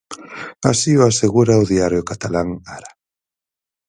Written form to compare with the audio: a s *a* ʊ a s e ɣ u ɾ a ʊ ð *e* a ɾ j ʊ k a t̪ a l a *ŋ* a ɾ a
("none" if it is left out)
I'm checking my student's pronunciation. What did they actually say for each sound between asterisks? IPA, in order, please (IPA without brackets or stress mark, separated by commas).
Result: i, i, ŋ